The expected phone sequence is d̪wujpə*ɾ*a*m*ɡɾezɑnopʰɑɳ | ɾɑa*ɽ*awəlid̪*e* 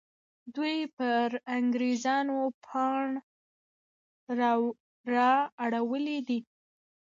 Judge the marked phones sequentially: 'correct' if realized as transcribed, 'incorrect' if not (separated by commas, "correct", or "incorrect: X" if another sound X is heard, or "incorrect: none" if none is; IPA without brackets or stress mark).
correct, incorrect: ŋ, correct, incorrect: i